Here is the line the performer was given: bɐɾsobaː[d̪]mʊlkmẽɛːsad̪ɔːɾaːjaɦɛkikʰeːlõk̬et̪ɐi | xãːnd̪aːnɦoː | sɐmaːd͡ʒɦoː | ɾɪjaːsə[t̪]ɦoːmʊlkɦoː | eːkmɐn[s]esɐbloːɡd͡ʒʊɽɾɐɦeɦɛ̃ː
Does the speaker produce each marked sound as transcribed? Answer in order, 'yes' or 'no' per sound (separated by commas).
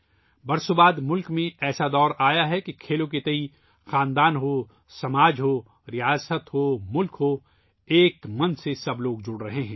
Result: yes, yes, yes